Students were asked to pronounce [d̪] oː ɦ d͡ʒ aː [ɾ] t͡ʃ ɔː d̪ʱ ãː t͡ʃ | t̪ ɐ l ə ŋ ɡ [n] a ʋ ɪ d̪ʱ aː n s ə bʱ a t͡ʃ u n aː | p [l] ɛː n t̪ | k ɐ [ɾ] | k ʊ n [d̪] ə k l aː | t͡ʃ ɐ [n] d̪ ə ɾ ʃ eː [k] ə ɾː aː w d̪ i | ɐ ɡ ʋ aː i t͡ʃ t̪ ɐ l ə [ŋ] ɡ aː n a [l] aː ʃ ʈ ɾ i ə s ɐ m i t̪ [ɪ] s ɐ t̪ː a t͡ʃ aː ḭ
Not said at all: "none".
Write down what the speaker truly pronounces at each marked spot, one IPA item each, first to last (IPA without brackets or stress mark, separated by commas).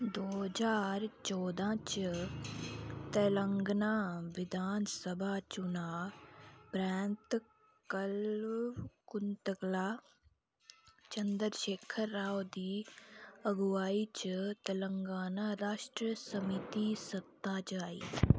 d̪, ɾ, n, ɾ, l, t̪, n, kʰ, ŋ, ɾ, i